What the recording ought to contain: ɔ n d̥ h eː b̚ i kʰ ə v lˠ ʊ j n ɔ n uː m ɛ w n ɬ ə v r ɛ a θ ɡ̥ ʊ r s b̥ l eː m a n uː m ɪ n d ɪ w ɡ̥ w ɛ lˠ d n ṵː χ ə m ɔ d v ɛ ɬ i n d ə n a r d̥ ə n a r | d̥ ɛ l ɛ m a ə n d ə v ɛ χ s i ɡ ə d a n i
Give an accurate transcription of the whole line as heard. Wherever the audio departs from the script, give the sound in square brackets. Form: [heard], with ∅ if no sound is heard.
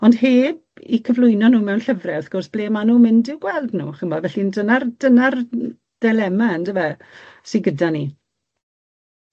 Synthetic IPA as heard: ɔ n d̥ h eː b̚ i kʰ ə v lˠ ʊ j n ɔ n uː m ɛ w n ɬ ə v r ɛ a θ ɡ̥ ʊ r s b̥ l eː m a n uː m ɪ n d ɪ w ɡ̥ w ɛ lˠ d n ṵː χ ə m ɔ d v ɛ ɬ i n d ə n a r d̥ ə n a r | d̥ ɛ l ɛ m a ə n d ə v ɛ [∅] s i ɡ ə d a n i